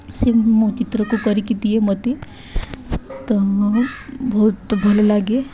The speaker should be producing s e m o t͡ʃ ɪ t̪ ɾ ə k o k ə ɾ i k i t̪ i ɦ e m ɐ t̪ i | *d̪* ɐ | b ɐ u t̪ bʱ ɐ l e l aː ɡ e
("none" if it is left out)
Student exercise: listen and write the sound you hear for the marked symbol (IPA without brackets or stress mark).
t̪